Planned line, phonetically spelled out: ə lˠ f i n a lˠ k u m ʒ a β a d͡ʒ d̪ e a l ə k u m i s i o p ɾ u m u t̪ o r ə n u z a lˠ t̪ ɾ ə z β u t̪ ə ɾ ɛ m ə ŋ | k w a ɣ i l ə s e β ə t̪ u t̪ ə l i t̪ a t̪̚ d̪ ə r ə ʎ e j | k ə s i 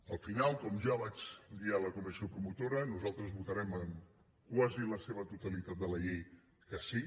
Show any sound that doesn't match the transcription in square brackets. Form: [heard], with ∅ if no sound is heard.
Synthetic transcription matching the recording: ə lˠ f i n a lˠ k [ɔ] m ʒ a β a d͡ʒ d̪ [i] a l ə k u m i s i o p ɾ u m u t̪ o [ɾ] ə n u z a lˠ t̪ ɾ ə z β u t̪ ə ɾ ɛ m ə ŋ | k w a [z] i l ə s e β ə t̪ u t̪ ə l i t̪ a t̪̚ d̪ ə [l] ə ʎ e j | k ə s i

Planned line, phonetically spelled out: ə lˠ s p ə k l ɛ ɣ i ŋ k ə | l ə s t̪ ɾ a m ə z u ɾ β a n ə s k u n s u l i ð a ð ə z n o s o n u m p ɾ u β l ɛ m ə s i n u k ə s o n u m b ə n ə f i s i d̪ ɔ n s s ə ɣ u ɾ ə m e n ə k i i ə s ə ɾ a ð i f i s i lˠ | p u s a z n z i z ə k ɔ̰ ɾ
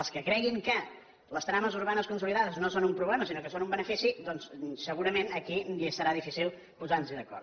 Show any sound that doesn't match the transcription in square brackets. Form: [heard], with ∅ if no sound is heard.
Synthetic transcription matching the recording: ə lˠ s [k] ə k [ɾ] ɛ ɣ i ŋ k ə | l ə s t̪ ɾ a m ə z u ɾ β a n ə s k u n s u l i ð a ð ə z n o s o n u m p ɾ u β l ɛ m ə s i n [o] k ə s o n u m b ə n ə f i s i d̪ ɔ n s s ə ɣ u ɾ ə m e n ə k i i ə s ə ɾ a ð i f i s i lˠ | p u [z] a [∅] n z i [ð] ə k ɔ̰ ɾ

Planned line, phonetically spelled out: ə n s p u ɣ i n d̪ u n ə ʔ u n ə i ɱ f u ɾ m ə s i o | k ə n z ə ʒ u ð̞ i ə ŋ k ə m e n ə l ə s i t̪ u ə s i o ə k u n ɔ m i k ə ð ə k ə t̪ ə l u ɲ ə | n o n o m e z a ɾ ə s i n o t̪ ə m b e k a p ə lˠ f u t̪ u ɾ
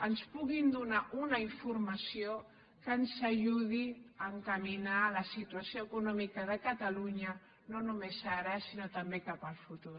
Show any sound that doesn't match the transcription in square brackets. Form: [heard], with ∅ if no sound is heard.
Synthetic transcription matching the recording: ə n s p u ɣ i n d̪ u n [a] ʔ u n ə i ɱ f u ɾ m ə s i o | k ə n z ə ʒ u ð̞ i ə ŋ k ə m [i] n [a] l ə s i t̪ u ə s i o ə k u n ɔ m i k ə ð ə k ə t̪ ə l u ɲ ə | n o n [u] m e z a ɾ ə s i n o t̪ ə m b e k a p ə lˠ f u t̪ u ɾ

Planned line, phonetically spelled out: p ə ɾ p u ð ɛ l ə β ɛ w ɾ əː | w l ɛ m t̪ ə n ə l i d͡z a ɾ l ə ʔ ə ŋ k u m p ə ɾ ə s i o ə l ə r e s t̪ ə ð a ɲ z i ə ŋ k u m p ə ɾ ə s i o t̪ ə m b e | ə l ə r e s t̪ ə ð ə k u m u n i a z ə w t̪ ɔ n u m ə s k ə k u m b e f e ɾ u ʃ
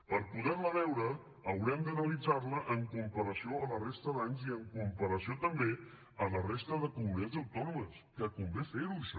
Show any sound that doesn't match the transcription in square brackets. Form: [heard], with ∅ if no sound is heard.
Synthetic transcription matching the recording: p ə ɾ p u ð ɛ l ə β ɛ w ɾ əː | w [ɾ] ɛ m [d̪] ə n ə l i d͡z a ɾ l ə ʔ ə ŋ k u m p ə ɾ ə s i o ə l ə r e s t̪ ə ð a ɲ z i ə ŋ k u m p ə ɾ ə s i o t̪ ə m b e | ə l ə r e s t̪ ə ð ə k u m u n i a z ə w t̪ ɔ n u m ə s k ə k u m b e f e ɾ u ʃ

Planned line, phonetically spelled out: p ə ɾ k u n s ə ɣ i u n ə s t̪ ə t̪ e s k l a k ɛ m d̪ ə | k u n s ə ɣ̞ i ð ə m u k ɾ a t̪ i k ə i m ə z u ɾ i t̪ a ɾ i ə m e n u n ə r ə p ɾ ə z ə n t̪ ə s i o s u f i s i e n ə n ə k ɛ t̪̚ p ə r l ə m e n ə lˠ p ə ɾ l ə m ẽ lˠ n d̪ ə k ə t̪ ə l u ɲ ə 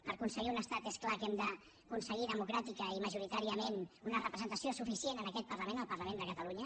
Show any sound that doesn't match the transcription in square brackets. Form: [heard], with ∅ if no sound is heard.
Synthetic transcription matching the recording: p ə ɾ k u n s ə ɣ i u n ə s t̪ [a] t̪ e s k l a k ɛ m d̪ ə | k u n s ə ɣ̞ i ð ə m u k ɾ a t̪ i k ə i m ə [ʒ] u ɾ i t̪ a ɾ i ə m e n u n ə r ə p ɾ ə z ə n t̪ ə s i o s u f i s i e n ə n ə k ɛ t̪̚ p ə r l ə m e n ə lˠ p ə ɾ l ə m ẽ [∅] n d̪ ə k ə t̪ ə l u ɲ ə

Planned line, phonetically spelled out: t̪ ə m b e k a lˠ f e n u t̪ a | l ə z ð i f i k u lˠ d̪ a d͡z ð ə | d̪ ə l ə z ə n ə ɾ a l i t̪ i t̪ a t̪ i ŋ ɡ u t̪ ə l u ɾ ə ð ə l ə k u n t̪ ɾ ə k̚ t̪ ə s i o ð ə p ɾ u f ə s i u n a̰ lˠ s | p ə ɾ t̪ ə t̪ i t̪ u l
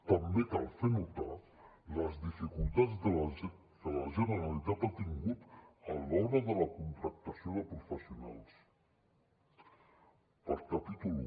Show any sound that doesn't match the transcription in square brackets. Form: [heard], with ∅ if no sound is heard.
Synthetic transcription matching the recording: t̪ ə m b e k a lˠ f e n u t̪ a | l ə z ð i f i k u lˠ [t̪] a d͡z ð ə | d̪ ə l ə [ʒ] ə n ə ɾ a l i t̪ [a] t̪ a t̪ i ŋ ɡ u t̪ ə l [ɔ] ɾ ə ð ə l ə k u n t̪ ɾ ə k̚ t̪ ə s i o ð ə p ɾ u f ə s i u n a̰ lˠ s | p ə ɾ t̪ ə t̪ i t̪ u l

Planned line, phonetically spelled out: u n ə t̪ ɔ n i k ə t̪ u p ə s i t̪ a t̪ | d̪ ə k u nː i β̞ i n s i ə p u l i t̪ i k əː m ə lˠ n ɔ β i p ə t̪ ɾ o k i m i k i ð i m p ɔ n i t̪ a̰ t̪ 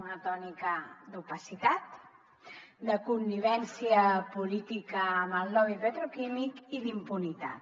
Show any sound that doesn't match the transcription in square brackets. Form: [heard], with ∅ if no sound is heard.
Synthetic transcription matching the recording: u n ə t̪ ɔ n i k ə [d̪] u p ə s i t̪ a t̪ | d̪ ə k u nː i β̞ [ɛ] n s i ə p u l i t̪ i k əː m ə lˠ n ɔ β i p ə t̪ ɾ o k i m i k i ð i m p [u] n i t̪ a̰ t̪

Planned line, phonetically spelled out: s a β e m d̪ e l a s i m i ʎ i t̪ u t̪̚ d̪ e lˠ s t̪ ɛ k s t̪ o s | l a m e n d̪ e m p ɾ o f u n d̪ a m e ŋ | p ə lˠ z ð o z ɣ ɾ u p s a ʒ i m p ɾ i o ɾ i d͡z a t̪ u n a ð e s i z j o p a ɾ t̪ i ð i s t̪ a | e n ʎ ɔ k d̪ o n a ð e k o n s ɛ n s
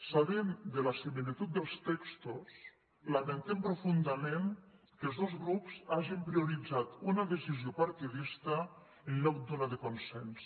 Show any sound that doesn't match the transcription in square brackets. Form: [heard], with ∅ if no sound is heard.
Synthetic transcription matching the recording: s a β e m d̪ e l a s i m i [l] i t̪ u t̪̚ d̪ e lˠ s t̪ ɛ k s t̪ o s | l a m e n [t̪] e m p ɾ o f u n d̪ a m e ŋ | [k] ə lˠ z ð o z ɣ ɾ u p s a ʒ i m p ɾ i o ɾ i d͡z a t̪ u n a ð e s i z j o p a ɾ t̪ i ð i s t̪ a | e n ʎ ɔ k d̪ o n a ð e k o n s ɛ n s

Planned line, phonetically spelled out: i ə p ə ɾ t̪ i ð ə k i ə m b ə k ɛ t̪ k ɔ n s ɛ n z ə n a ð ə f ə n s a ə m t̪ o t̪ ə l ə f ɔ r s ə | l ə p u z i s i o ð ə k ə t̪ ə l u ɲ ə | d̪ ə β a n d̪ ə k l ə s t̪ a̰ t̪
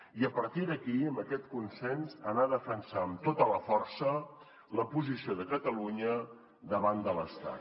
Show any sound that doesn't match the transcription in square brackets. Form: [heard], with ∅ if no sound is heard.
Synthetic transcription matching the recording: i ə p ə ɾ t̪ i ð ə k i ə m b ə k ɛ t̪ k [u] n s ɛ n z ə n a ð ə f ə n s a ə m t̪ o t̪ ə l ə f ɔ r s ə | l ə p u z i s i o ð ə k ə t̪ ə l u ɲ ə | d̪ ə β a n d̪ ə [∅] l ə s t̪ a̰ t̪

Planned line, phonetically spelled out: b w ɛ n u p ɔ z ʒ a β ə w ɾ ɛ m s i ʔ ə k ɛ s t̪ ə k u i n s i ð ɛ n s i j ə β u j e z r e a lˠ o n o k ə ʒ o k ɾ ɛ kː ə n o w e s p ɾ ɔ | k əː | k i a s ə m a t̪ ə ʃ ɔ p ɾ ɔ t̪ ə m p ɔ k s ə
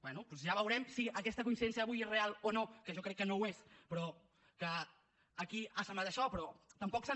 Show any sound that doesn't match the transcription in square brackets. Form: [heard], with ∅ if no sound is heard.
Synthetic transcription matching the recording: b w ɛ n u p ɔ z ʒ a β ə w ɾ ɛ m s i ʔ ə k ɛ s t̪ ə k u i n s i ð ɛ n s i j ə β u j e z r e a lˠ o n o k ə ʒ [ɔ] k ɾ ɛ kː ə n o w e s p ɾ ɔ | k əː | k i a s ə m a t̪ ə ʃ ɔ p ɾ ɔ t̪ ə m p ɔ k s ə

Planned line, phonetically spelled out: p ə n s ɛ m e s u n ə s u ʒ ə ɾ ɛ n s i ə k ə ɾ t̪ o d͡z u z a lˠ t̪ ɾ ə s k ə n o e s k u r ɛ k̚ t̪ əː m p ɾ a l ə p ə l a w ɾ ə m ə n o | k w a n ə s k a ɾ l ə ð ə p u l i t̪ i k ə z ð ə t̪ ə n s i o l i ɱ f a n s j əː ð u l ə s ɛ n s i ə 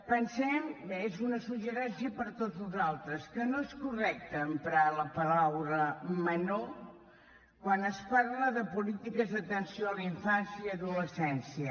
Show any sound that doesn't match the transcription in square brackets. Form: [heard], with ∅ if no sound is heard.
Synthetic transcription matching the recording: p ə n s ɛ m e [z] u n ə s u ʒ ə ɾ ɛ n s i ə [p] ə ɾ t̪ o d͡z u z a lˠ t̪ ɾ ə s k ə n o e s k u r ɛ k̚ t̪ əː m p ɾ a l ə p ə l a w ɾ ə m ə n o | k w a n ə s [p] a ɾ l ə ð ə p u l i t̪ i k ə z ð ə t̪ ə n s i o l i ɱ f a n s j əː ð u l ə s ɛ n s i ə

